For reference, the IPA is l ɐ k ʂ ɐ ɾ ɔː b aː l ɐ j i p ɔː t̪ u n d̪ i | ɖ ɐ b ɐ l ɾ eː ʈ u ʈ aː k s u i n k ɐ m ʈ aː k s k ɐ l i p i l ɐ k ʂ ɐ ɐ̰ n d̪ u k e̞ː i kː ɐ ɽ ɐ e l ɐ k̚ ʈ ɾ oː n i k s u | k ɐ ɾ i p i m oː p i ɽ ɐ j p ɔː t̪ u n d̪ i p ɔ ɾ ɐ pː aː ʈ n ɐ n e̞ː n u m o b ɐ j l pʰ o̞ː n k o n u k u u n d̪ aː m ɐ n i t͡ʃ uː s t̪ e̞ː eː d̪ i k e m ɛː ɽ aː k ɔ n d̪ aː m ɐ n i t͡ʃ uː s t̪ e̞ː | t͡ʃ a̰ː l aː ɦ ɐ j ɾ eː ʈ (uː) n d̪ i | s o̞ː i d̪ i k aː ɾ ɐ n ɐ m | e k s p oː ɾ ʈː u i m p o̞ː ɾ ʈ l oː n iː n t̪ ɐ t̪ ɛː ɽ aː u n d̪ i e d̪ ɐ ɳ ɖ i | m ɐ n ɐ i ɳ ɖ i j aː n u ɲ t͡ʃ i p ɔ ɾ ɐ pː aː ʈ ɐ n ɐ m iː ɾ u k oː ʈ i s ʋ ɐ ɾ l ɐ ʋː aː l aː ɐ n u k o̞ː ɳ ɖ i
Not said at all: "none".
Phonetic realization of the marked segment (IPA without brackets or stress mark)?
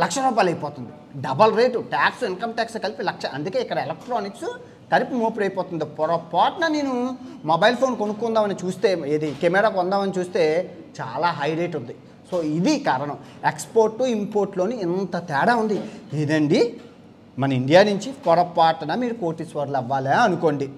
u